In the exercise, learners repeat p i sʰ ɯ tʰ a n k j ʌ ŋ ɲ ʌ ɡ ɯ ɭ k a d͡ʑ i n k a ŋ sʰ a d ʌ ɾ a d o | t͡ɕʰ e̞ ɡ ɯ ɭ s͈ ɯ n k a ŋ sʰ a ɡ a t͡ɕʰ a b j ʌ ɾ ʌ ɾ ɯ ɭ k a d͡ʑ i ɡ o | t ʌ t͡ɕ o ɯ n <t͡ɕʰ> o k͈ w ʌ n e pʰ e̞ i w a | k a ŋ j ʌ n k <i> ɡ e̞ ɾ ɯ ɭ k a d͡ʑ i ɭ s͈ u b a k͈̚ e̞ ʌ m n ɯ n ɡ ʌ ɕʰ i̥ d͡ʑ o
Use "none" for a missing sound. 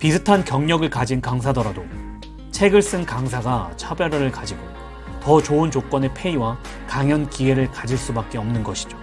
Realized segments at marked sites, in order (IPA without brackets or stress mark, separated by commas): t͡ɕ, i